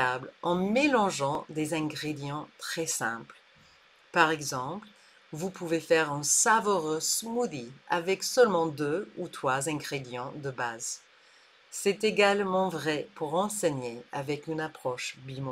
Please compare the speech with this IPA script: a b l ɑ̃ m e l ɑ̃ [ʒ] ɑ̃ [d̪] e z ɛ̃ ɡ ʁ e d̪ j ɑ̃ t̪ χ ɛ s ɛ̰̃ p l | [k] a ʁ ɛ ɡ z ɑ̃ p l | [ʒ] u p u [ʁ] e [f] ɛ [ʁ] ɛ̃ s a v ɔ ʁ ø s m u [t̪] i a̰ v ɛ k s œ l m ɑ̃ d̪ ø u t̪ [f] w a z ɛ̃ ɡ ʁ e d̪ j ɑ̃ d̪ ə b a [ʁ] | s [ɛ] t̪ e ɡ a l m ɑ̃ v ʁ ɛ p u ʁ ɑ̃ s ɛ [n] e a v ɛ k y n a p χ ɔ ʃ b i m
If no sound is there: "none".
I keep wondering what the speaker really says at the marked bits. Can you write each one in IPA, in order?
ʒ, d̪, p, v, v, f, ʁ, d̪, χ, z, ɛ, ɲ

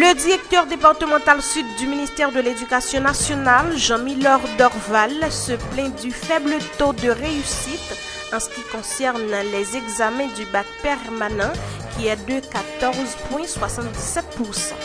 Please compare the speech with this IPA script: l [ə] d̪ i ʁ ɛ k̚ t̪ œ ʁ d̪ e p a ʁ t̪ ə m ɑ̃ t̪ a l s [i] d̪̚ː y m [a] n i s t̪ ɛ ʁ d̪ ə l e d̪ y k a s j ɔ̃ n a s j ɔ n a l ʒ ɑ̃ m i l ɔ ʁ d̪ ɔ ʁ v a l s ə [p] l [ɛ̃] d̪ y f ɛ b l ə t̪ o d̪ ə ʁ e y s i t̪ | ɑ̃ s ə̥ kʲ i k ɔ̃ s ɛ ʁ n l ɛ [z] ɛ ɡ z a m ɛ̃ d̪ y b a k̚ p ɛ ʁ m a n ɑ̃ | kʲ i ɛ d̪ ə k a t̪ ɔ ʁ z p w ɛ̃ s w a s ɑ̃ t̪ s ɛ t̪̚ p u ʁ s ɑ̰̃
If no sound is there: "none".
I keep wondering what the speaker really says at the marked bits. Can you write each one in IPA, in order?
ə, y, i, p, ɛ̃, z

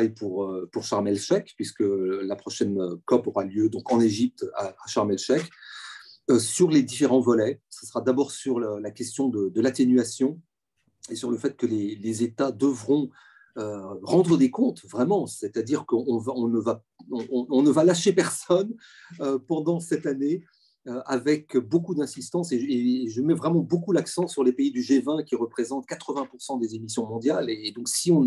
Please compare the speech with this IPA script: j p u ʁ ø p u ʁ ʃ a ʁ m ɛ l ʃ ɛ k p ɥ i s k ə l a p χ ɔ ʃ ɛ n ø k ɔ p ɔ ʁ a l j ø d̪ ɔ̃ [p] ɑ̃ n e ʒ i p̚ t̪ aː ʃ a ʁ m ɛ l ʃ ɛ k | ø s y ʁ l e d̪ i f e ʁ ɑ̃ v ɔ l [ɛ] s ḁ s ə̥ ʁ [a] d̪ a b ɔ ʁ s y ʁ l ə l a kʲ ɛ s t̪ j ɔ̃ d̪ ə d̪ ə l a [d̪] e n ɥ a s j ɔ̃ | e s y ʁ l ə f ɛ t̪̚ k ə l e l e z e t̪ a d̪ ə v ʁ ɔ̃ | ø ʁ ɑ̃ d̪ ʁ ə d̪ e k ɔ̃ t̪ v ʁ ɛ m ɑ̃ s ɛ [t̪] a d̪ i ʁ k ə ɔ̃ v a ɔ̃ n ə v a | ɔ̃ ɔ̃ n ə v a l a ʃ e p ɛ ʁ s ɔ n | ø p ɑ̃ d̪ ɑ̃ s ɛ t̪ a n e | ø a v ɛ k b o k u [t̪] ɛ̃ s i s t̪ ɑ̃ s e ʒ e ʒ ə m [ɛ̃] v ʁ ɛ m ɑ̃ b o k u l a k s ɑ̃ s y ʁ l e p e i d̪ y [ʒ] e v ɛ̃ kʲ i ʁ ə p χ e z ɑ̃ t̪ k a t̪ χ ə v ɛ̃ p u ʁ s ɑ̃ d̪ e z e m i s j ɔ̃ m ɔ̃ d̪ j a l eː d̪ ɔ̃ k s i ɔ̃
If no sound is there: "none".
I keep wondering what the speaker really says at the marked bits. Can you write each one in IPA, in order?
k, ɛ, a, t̪, t̪, d̪, ɛ, ʒ

